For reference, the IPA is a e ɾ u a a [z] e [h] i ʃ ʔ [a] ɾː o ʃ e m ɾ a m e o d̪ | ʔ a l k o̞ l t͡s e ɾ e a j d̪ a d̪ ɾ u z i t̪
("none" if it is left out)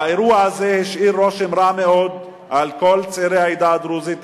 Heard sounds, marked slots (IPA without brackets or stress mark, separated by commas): z, h, i